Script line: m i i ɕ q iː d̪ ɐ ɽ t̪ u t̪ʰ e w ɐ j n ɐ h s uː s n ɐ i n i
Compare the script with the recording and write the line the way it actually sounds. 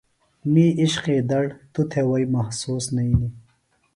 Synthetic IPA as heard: m i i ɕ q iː d̪ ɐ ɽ t̪ u t̪ʰ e w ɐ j m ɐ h s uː s n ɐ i n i